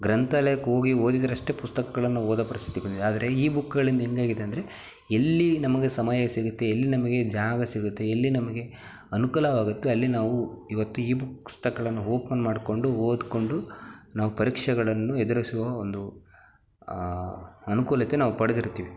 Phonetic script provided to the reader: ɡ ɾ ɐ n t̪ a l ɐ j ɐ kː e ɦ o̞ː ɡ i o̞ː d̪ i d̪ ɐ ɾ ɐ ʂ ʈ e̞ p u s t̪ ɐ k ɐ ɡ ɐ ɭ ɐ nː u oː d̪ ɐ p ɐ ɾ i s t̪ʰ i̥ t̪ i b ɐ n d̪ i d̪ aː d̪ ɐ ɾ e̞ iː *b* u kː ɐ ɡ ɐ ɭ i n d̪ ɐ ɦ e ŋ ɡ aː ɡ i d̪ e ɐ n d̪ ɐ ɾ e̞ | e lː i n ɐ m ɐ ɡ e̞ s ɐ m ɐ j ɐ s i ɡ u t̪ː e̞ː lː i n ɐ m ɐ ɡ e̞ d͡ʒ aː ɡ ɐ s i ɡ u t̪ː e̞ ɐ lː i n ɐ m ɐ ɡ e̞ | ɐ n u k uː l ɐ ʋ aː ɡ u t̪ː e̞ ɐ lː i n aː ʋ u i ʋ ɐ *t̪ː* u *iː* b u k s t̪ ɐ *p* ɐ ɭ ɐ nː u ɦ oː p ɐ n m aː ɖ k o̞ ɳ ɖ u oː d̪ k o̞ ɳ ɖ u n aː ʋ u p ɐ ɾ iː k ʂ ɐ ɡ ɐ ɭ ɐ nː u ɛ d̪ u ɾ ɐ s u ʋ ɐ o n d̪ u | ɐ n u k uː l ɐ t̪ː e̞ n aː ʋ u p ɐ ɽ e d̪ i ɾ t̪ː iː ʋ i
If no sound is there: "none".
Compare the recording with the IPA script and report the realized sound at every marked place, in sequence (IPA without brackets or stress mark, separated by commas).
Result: b, t̪ː, iː, k